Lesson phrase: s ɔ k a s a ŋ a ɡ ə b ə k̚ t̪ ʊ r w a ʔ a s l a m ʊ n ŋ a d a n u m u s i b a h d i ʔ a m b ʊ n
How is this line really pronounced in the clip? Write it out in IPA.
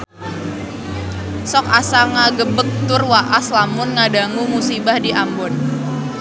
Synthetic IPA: s ɔ k a s a ŋ a ɡ ə b ə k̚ t̪ ʊ r w a ʔ a s l a m ʊ n ŋ a d a ŋ u m u s i b a h d i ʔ a m b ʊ n